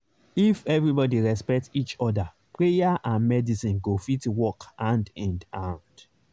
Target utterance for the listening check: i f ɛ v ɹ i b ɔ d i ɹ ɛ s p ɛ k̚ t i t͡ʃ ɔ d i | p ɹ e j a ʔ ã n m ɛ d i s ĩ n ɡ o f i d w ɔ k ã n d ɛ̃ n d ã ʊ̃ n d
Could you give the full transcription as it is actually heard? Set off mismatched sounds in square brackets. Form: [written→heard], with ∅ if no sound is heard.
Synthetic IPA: i f ɛ v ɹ i b ɔ d i ɹ ɛ s p ɛ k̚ t i t͡ʃ ɔ d [i→a] | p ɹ e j a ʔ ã n m ɛ d i s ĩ n ɡ o f i [d→t] w ɔ k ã n d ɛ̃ n d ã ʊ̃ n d